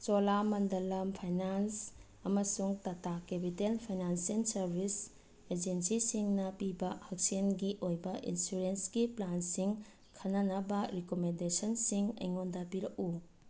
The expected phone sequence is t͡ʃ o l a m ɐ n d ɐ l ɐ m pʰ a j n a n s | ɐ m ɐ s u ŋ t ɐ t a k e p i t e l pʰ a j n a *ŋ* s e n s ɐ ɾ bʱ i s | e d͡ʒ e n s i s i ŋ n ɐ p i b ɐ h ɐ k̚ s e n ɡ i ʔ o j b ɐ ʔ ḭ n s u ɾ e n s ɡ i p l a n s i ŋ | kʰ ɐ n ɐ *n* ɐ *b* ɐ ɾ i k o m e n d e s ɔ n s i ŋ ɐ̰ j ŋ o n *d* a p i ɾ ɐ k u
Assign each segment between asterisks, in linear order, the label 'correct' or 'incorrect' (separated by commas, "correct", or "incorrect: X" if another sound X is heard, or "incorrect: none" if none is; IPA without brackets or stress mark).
incorrect: n, correct, correct, correct